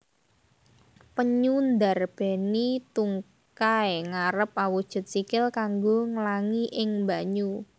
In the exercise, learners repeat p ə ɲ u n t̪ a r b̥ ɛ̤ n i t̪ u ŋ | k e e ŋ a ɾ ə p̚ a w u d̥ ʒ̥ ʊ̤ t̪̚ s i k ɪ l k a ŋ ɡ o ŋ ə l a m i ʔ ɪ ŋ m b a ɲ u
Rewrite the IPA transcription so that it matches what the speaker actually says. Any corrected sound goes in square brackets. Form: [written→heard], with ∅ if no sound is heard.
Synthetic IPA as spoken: p ə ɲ u n [t̪→d̪] a r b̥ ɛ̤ n i t̪ u ŋ | k [e→a] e ŋ a ɾ ə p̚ a w u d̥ ʒ̥ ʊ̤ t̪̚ s i k ɪ l k a ŋ ɡ o ŋ ə l a [m→ŋ] i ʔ ɪ ŋ m b a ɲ u